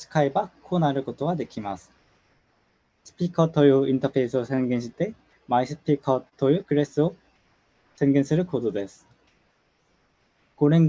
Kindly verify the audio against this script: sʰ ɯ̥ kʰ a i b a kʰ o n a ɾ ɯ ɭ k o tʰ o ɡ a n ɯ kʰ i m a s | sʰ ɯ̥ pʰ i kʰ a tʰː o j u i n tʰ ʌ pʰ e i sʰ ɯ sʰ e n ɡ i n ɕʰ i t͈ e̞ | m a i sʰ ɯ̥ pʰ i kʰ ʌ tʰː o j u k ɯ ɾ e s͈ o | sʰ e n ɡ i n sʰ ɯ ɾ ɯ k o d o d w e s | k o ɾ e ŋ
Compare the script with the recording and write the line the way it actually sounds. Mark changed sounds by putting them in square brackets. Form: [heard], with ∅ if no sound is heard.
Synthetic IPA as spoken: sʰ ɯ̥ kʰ a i b a kʰ o n a ɾ ɯ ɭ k o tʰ o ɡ a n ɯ kʰ i m a s | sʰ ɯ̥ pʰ i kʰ [ʌ] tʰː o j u i n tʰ ʌ pʰ e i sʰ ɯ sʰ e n ɡ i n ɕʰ i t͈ e̞ | m a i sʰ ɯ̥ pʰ i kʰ ʌ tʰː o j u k ɯ ɾ e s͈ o | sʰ e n ɡ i n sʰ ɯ ɾ ɯ k o d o d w e s | k o ɾ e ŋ